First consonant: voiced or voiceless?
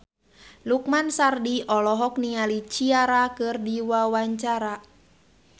voiced